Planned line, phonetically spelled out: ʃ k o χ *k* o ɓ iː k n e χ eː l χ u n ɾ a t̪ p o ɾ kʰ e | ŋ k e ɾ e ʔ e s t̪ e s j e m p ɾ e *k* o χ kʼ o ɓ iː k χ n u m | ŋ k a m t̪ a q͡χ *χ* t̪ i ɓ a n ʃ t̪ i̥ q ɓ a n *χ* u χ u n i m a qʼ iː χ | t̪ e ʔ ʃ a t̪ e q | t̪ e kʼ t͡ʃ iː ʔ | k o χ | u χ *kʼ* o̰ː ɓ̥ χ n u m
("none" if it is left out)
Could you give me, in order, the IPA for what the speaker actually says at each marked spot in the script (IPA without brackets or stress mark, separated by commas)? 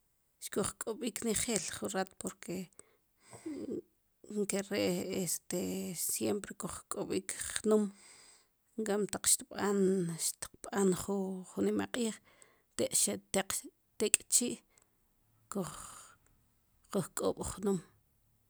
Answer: kʼ, k, ʃ, χ, kʼ